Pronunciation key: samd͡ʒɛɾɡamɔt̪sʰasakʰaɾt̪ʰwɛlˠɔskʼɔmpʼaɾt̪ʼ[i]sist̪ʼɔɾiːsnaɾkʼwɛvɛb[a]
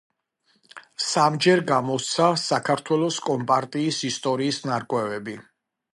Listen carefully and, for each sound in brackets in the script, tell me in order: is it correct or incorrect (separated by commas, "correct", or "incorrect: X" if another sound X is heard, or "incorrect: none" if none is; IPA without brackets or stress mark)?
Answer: incorrect: iː, incorrect: i